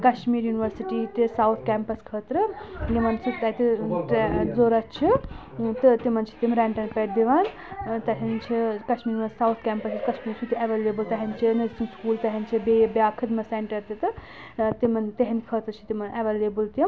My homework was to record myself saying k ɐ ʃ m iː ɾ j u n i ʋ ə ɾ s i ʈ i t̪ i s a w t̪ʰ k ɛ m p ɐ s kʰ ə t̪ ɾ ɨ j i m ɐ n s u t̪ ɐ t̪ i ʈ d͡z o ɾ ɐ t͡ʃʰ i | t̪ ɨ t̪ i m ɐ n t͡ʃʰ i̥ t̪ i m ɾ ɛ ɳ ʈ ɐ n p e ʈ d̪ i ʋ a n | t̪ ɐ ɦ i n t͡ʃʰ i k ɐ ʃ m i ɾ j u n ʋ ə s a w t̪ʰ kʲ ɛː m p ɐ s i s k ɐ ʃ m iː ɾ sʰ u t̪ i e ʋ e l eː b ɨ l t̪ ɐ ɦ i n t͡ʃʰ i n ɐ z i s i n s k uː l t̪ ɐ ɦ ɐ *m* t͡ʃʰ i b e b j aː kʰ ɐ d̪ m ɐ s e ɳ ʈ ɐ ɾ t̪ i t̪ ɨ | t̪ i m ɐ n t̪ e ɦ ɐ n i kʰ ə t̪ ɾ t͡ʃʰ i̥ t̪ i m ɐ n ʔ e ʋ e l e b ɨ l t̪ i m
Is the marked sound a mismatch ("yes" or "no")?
yes